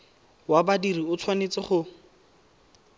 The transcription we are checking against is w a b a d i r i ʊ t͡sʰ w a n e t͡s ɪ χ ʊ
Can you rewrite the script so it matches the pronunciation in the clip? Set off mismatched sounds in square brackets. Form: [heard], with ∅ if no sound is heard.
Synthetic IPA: w a b a d i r i ʊ t͡sʰ w a n e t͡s ɪ χ ʊ